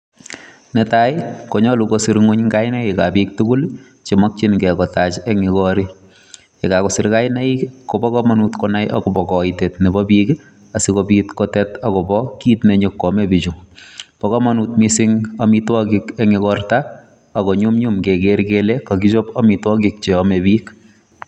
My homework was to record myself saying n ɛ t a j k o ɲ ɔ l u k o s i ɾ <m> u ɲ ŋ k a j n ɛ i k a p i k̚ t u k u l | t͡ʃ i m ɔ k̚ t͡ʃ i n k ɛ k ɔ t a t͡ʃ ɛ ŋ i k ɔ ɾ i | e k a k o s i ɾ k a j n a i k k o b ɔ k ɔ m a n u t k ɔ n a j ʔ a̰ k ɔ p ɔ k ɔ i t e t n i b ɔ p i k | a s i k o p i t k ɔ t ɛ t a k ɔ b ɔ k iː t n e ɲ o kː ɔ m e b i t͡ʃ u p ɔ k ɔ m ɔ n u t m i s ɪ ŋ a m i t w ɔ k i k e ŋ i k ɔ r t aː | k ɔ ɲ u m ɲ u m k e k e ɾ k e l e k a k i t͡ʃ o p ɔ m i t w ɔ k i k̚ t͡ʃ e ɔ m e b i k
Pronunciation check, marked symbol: incorrect: ŋ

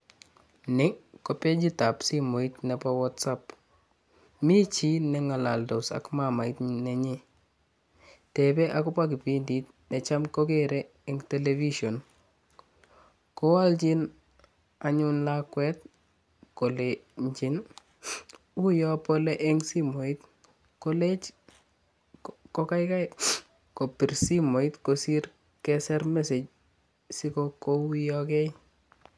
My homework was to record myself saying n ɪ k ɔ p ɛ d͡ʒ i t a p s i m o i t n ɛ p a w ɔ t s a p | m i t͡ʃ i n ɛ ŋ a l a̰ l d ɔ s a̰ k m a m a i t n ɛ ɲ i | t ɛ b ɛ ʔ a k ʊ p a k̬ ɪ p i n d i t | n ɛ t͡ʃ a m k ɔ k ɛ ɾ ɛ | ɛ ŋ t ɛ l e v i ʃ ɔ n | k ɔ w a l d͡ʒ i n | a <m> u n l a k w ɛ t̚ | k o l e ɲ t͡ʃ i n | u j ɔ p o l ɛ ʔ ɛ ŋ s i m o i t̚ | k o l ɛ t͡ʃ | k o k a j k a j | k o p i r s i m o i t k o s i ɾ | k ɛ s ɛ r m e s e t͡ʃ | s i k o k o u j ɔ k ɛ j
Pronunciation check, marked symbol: incorrect: ɲ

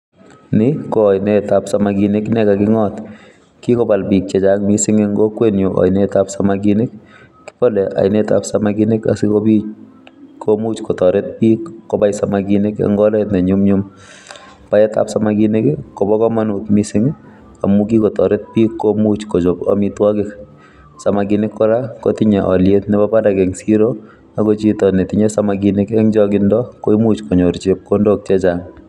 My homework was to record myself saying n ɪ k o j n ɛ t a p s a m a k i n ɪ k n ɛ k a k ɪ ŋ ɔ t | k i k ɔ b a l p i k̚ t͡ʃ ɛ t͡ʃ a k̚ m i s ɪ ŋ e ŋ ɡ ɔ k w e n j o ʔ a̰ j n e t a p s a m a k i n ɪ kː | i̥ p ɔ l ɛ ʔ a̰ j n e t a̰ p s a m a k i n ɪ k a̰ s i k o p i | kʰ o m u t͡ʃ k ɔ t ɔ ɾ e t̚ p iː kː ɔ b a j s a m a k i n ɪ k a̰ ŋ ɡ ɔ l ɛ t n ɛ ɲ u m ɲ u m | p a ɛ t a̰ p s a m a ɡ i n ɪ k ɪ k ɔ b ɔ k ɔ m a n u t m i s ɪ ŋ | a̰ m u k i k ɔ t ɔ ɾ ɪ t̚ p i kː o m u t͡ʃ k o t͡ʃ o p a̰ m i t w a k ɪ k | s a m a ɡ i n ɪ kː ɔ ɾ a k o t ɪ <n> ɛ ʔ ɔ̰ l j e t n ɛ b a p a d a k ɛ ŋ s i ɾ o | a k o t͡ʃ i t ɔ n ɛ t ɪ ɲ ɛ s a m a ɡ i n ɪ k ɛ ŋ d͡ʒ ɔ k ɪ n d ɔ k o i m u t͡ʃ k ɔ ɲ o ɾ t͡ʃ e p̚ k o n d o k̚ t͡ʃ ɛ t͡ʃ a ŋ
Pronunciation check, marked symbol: incorrect: ɲ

